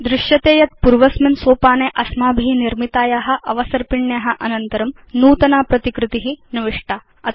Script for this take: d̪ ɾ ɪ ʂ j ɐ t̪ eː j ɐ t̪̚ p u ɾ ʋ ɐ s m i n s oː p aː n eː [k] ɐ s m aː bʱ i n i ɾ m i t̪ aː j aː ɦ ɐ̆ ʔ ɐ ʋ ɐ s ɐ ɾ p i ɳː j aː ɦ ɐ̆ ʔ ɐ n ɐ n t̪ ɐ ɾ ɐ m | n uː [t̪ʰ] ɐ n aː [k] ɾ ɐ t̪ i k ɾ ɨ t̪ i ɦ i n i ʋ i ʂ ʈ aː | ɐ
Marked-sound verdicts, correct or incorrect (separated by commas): incorrect, incorrect, incorrect